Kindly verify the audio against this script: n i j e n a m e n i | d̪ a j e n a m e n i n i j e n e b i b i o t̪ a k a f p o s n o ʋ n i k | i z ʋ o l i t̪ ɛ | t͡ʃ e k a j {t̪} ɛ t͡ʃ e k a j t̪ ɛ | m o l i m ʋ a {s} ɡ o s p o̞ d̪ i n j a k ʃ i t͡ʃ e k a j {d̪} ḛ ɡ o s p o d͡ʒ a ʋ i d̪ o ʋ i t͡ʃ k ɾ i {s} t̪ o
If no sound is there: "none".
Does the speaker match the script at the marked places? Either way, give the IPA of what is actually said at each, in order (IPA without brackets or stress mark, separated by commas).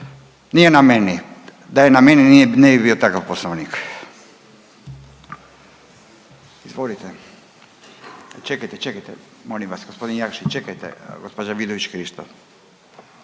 t̪, s, t̪, ʃ